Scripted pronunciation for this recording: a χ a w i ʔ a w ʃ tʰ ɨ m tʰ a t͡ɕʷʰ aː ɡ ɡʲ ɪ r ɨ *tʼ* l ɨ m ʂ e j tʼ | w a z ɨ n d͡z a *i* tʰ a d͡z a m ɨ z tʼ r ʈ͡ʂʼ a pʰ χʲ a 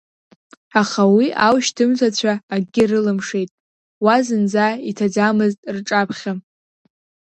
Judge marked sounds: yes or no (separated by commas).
no, yes